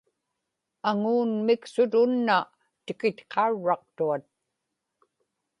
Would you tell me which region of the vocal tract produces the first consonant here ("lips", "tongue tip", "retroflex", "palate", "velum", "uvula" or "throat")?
velum